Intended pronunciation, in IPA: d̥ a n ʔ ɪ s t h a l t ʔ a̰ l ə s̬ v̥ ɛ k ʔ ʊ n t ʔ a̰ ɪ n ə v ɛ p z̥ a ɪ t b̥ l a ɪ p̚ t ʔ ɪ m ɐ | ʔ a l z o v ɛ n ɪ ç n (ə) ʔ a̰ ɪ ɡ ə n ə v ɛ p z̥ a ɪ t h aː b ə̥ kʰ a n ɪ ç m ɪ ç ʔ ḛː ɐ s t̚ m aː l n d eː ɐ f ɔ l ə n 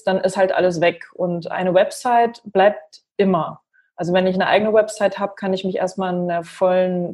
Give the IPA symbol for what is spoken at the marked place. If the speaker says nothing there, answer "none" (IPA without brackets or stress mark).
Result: ə